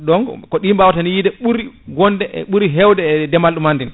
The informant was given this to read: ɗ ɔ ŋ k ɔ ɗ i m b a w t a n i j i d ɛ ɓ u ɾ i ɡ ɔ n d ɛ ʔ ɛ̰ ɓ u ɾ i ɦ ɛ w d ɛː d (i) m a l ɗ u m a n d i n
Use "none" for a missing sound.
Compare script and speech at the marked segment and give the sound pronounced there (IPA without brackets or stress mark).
ɛ